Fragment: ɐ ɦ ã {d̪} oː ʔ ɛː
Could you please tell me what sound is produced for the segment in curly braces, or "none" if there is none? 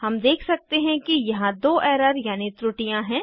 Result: d̪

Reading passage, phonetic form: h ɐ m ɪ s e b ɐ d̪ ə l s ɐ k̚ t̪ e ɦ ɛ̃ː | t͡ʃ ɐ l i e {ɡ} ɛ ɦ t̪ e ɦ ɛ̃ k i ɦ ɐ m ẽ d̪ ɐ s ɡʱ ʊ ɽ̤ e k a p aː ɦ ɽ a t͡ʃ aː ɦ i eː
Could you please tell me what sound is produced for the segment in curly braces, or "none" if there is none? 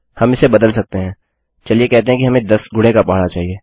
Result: k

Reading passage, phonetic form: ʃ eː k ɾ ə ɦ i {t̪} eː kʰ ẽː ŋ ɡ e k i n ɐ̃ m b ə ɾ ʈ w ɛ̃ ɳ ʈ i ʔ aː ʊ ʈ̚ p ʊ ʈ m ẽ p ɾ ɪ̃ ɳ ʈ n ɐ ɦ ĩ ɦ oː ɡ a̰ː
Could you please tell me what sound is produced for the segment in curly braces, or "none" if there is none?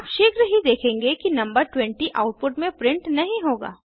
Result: d̪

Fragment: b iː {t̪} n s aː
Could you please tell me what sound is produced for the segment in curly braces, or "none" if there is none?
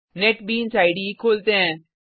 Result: none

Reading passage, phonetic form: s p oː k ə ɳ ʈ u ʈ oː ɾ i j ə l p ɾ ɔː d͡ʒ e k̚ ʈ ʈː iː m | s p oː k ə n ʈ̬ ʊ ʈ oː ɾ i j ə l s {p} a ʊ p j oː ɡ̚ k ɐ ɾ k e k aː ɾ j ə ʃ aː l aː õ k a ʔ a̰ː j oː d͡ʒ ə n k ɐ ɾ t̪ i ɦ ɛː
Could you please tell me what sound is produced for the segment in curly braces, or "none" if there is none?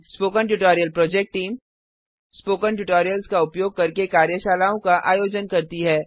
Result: k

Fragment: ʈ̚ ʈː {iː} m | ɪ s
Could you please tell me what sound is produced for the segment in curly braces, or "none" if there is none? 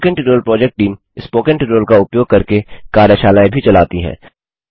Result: iː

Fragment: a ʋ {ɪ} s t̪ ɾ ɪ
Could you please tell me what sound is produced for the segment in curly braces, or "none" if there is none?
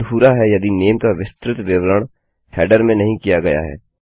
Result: ɪ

